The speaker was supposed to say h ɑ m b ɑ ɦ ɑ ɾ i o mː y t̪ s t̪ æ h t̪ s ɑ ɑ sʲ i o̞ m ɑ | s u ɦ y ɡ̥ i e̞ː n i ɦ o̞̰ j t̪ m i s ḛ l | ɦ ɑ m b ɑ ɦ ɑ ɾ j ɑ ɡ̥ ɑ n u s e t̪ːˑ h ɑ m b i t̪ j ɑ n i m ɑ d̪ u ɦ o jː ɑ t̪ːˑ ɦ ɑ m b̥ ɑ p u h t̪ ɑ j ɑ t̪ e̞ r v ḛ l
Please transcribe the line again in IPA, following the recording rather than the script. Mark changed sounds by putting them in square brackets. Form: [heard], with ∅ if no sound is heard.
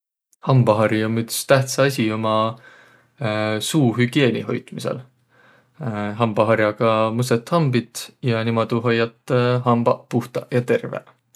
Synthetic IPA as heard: h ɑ m b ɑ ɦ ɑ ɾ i o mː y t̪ s t̪ æ h t̪ s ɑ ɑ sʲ i o̞ m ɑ | s [uː] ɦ y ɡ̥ i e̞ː n i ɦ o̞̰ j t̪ m i s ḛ l | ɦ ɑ m b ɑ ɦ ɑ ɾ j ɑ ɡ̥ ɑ [m] u s e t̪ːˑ h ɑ m b i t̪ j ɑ n i m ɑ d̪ u ɦ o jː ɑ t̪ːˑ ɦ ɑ m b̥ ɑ p u h t̪ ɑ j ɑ t̪ e̞ r v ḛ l